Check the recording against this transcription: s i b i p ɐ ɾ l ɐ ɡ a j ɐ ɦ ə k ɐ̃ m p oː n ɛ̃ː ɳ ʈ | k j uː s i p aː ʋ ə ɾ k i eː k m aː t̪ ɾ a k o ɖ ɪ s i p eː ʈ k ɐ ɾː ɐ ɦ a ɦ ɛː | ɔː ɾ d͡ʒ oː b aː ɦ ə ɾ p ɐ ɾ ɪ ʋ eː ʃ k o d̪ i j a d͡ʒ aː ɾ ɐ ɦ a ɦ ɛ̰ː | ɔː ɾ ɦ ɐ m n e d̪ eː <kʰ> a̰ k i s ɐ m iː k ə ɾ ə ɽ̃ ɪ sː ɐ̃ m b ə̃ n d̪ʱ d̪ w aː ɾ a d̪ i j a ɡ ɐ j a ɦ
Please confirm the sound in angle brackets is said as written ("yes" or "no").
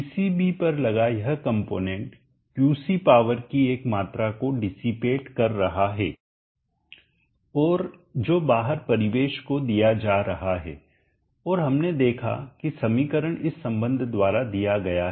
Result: yes